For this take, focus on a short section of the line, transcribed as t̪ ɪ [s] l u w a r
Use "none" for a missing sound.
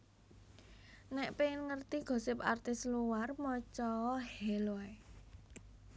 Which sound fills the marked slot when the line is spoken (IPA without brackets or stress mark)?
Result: s